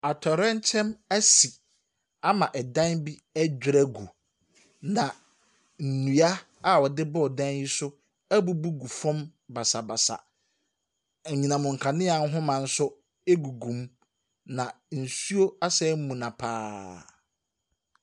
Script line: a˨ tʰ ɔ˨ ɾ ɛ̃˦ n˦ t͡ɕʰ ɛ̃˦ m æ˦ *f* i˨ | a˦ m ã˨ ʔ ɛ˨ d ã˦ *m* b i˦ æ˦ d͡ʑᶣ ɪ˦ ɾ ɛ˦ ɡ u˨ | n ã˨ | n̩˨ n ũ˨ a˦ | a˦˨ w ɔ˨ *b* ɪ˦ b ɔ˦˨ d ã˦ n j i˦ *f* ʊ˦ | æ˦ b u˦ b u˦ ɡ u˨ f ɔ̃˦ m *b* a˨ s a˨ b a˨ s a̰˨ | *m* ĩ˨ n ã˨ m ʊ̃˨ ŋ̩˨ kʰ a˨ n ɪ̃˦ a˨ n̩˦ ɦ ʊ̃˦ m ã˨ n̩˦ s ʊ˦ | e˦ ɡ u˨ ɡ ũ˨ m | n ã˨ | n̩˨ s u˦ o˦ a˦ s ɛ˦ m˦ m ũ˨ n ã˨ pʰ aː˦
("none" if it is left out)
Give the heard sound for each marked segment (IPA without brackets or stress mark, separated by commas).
s, n, d, s, b, ɲ